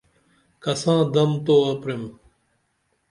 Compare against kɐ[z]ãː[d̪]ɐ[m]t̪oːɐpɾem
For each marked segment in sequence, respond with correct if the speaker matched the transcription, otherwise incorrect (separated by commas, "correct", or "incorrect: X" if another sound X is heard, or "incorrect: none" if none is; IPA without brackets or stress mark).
incorrect: s, correct, correct